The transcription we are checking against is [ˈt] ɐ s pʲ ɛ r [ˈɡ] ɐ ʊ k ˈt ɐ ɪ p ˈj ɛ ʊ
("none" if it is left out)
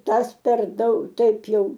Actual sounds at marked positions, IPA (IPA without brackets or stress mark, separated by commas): t, d